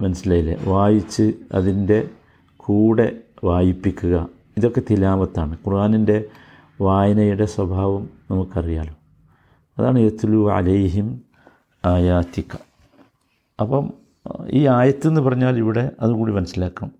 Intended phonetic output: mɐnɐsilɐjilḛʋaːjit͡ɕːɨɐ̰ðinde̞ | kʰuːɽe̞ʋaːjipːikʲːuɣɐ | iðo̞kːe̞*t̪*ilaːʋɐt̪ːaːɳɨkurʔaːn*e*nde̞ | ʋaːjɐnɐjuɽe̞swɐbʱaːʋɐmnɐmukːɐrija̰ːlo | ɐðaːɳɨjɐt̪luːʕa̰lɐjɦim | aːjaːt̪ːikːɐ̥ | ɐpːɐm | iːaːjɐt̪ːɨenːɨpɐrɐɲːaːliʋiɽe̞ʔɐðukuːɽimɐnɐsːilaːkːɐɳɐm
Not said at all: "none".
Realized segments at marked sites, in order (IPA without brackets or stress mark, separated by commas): t̪, i